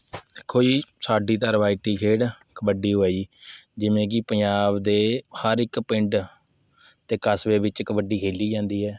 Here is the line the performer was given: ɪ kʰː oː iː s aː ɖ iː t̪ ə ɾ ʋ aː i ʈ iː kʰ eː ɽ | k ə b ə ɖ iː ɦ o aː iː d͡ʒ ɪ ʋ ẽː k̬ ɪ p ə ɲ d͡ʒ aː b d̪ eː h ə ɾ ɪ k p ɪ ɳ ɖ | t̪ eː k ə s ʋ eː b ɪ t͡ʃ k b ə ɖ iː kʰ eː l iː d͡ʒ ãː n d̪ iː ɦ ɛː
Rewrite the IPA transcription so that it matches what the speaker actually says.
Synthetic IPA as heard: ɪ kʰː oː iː s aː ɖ iː t̪ ə ɾ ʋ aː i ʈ iː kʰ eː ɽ | k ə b ə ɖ iː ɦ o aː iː d͡ʒ ɪ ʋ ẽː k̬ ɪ p ə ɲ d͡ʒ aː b d̪ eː h ə ɾ ɪ k p ɪ ɳ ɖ | t̪ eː k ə s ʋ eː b ɪ t͡ʃ k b ə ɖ iː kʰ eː l iː d͡ʒ ãː n d̪ iː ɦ ɛː